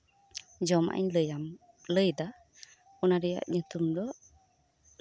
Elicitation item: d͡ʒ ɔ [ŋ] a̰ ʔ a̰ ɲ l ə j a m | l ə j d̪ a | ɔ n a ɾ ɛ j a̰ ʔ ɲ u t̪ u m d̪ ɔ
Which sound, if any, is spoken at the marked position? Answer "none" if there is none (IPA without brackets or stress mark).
m